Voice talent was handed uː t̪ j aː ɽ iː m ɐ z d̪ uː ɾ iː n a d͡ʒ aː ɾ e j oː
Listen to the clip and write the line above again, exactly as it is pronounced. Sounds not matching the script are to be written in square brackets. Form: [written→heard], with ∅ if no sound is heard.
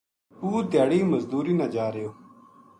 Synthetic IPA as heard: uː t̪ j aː ɽ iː m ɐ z d̪ uː ɾ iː n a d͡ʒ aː ɾ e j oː